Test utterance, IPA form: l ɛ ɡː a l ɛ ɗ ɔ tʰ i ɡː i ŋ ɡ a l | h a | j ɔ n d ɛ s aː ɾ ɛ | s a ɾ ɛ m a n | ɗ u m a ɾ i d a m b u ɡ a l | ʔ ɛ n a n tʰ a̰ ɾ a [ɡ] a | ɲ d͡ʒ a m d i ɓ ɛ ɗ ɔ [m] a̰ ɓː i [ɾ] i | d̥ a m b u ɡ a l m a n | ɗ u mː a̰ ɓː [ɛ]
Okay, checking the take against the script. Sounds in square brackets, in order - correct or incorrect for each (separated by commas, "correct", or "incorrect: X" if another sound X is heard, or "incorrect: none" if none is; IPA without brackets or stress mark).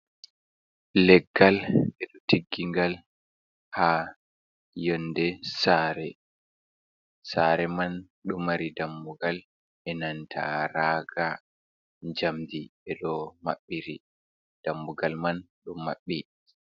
correct, correct, correct, incorrect: i